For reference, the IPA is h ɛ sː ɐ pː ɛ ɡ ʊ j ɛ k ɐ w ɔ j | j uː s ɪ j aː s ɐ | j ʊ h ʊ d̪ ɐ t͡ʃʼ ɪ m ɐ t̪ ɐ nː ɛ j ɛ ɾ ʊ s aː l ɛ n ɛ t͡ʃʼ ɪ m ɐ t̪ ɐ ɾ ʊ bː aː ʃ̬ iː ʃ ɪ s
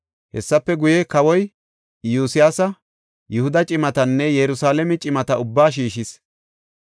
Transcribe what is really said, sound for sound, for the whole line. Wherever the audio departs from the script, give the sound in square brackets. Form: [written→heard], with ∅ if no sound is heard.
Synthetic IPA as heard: h ɛ sː ɐ pː ɛ ɡ ʊ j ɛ k ɐ w ɔ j | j uː s ɪ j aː s ɐ | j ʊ h ʊ d̪ ɐ t͡ʃʼ ɪ m ɐ t̪ ɐ nː ɛ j ɛ ɾ ʊ s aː l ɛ [n→m] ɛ t͡ʃʼ ɪ m ɐ t̪ ɐ [ɾ→∅] ʊ bː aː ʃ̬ iː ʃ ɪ s